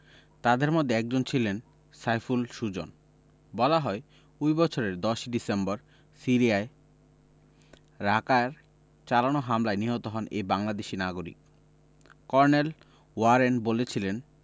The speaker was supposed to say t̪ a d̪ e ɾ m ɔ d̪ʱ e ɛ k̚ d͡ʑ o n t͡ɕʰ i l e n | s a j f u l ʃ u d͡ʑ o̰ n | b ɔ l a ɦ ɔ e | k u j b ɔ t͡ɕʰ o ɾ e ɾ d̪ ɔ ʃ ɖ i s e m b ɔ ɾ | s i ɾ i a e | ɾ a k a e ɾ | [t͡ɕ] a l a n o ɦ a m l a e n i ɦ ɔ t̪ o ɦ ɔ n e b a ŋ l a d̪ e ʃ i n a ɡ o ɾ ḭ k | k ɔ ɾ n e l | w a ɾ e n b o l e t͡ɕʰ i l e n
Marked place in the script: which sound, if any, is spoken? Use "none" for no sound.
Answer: t͡ɕ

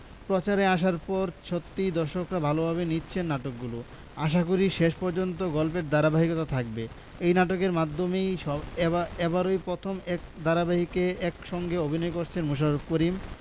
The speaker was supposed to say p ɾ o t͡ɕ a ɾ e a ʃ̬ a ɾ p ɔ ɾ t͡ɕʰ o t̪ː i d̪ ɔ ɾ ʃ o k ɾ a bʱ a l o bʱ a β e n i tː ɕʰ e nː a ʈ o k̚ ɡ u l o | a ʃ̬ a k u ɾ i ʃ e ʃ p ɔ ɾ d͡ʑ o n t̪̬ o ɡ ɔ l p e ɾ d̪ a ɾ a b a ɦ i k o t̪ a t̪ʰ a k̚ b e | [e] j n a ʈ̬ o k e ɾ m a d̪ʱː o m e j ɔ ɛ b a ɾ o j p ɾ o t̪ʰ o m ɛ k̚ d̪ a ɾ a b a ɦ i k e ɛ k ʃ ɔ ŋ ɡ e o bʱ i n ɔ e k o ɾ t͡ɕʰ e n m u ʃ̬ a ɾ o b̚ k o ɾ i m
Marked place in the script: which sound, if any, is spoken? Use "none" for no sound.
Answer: e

